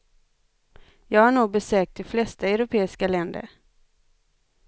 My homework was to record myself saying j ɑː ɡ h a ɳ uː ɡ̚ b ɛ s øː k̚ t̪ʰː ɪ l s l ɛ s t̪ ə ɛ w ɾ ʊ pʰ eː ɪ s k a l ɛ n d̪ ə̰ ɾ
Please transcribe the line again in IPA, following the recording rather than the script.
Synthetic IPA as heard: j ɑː ɡ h a ɳ uː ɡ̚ b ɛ s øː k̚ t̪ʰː ɪ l f l ɛ s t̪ a ɛ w ɾ ʊ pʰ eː ɪ s k a l ɛ n d̪ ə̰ ɾ